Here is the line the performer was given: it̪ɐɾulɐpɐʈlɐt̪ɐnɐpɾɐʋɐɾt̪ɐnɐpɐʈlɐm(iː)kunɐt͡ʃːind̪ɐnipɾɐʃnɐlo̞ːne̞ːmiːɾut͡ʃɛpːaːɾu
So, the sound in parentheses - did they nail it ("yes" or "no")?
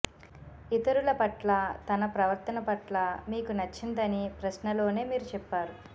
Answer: yes